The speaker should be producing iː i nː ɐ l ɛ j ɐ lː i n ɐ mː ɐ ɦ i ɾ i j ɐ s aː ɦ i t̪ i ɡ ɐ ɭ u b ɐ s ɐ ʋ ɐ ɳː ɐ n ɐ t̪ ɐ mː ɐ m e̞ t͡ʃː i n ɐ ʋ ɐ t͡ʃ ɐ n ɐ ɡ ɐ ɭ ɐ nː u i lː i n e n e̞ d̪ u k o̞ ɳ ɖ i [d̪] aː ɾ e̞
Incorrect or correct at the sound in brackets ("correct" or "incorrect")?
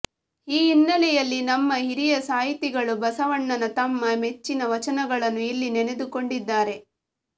incorrect